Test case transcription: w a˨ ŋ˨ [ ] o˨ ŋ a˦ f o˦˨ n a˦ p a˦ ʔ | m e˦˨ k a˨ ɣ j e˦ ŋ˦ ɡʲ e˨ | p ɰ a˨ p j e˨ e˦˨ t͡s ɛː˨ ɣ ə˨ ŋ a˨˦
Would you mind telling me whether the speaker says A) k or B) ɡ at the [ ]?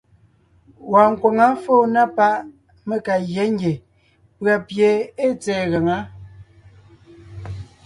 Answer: A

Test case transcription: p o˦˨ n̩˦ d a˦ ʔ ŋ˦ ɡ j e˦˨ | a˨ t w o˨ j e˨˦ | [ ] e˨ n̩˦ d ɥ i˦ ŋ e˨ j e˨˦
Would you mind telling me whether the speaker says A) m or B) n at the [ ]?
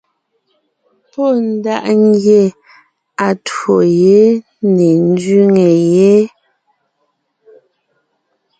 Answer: B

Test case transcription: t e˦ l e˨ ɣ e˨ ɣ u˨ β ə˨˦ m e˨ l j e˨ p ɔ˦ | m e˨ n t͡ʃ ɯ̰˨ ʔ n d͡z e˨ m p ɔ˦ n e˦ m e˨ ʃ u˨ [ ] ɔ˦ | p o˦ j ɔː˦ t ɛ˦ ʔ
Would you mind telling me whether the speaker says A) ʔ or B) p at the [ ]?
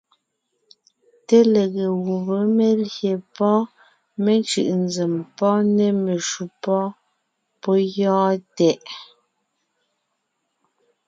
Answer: B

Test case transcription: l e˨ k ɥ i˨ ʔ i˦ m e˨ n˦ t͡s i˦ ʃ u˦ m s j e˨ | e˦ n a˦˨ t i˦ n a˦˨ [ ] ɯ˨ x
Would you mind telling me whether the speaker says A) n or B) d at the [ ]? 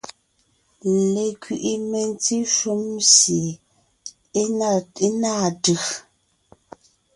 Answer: B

